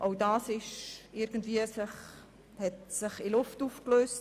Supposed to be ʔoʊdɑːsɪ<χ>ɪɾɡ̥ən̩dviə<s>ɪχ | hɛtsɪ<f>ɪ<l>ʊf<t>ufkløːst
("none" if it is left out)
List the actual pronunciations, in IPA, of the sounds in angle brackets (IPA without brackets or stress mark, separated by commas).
ʃ, s, χ, l, t